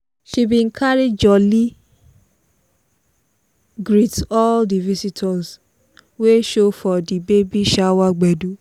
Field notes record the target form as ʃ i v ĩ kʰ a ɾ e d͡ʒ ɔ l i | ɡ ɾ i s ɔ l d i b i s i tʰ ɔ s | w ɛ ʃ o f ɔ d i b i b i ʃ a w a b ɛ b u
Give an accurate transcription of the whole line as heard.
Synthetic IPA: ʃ i b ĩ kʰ a ɾ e d͡ʒ ɔ l i | ɡ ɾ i t ɔ l d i v i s i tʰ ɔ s | w e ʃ o f ɔ d i b e b i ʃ a w a ɡ͡b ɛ d u

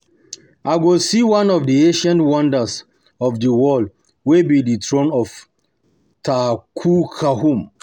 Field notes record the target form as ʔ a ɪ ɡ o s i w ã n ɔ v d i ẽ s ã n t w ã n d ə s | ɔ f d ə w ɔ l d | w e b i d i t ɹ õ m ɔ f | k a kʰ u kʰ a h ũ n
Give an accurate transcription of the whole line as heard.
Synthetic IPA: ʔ a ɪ ɡ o s i w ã n ɔ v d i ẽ ʃ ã n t w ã n d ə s | ɔ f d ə w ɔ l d | w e b i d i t ɹ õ n ɔ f | t a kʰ u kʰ a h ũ m

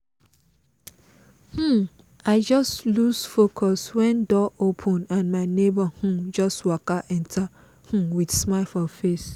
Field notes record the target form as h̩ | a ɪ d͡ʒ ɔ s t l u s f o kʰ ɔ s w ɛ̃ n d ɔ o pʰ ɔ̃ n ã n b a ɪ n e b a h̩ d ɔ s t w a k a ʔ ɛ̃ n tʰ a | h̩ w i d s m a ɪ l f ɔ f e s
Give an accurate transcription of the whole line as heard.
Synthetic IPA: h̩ | a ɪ d͡ʒ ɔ s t l u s f o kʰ ɔ s w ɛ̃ n d ɔ o pʰ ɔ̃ n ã n m a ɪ n e b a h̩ d͡ʒ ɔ s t w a k a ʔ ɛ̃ n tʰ a | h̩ w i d s m a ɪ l f ɔ f e s

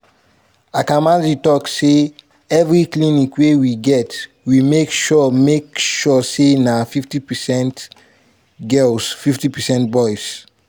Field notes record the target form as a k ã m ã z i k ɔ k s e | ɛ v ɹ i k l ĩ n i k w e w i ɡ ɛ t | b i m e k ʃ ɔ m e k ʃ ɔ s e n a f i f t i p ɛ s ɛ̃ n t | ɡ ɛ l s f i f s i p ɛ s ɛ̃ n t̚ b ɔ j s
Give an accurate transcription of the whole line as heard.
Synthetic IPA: a k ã m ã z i t ɔ k s e | ɛ v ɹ i k l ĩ n i k w e w i ɡ ɛ t | w i m e k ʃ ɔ m e k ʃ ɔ s e n a f i f t i p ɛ s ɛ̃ n t | ɡ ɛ l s f i f t i p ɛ s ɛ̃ n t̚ b ɔ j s

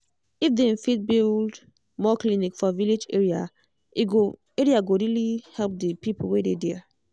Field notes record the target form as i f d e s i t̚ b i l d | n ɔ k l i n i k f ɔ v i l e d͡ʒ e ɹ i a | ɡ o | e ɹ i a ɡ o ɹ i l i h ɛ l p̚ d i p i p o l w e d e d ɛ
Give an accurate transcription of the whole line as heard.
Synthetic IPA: i f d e f i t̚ b i l d | m ɔ k l i n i k f ɔ v i l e d͡ʒ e ɹ i a | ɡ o | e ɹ i a ɡ o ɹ i l i h ɛ l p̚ d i p i p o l w e d e d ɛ

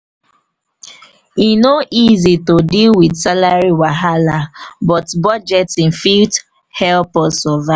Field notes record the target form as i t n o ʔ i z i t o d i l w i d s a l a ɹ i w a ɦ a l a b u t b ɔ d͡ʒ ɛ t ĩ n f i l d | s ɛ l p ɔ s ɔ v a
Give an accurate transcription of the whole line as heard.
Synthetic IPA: i n o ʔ i z i t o d i l w i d s a l a ɹ i w a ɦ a l a b ɔ t b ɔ d͡ʒ ɛ t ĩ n f i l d | h ɛ l p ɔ s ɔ v a

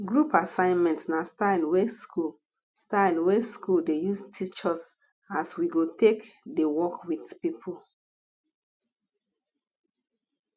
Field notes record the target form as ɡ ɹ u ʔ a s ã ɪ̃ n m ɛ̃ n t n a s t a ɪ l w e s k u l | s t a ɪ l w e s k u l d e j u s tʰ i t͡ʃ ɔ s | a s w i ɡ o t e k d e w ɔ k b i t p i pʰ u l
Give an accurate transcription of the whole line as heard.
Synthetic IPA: ɡ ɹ u p a s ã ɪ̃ n m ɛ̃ n t n a s t a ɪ l w e s k u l | s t a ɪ l w e s k u l d e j u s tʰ i t͡ʃ ɔ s | a s w i ɡ o t e k d e w ɔ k w i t p i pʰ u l

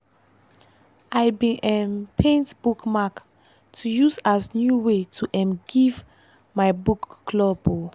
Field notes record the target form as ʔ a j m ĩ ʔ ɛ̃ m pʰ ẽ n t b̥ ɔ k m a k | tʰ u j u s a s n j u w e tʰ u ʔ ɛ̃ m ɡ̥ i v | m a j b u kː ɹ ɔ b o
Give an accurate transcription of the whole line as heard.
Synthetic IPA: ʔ a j b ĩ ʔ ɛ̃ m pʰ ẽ n t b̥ u k m a k | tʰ u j u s a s n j u w e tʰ u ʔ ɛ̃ m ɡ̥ i v | m a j b u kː l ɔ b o

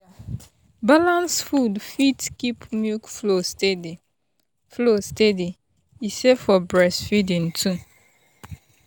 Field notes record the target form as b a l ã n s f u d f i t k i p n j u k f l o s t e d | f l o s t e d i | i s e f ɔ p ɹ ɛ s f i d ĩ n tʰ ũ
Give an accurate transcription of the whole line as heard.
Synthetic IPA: b a l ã n s f u d f i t k i p m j u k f l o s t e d | f l o s t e d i | i s e f ɔ b ɹ ɛ s f i d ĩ n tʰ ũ

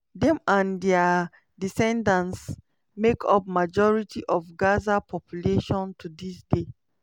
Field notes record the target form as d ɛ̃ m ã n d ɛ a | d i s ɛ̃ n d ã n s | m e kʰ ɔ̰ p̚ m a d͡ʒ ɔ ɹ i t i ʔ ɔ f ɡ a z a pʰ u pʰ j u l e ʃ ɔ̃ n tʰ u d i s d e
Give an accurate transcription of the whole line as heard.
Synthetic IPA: d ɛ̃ m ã n d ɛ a | d i s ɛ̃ n d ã n s | m e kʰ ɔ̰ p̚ m a d͡ʒ ɔ ɹ i t i ʔ ɔ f ɡ a z a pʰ ɔ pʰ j u l e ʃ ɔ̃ n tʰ u d i s d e

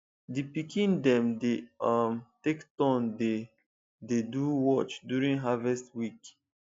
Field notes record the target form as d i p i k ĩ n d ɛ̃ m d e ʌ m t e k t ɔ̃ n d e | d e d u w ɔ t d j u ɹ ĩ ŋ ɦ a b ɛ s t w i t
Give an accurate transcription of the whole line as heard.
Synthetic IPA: d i p i k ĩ n d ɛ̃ m d e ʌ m t e k t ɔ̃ n d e | d e d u w ɔ t͡ʃ d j u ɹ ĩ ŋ ɦ a v ɛ s t w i k

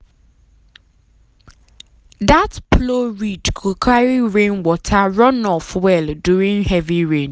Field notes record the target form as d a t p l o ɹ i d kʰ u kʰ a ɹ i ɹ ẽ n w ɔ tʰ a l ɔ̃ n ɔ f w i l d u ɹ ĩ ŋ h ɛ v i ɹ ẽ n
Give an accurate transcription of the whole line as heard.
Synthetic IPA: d a t p l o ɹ i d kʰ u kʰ a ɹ i ɹ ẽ n w ɔ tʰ a ɹ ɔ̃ n ɔ f w ɛ l d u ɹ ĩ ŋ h ɛ v i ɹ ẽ n

